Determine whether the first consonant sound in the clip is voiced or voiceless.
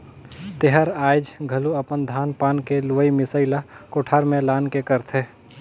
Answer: voiceless